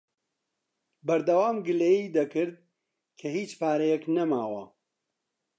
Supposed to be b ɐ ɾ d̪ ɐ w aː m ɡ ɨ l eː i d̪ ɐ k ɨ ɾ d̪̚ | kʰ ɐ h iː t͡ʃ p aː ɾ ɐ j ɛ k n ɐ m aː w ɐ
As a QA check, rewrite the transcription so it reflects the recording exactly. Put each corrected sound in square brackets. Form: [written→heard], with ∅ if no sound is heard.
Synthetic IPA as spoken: b ɐ ɾ d̪ ɐ w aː m ɡ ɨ l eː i d̪ ɐ k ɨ ɾ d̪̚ | kʰ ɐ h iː t͡ʃ p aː ɾ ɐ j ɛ k n ɐ m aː w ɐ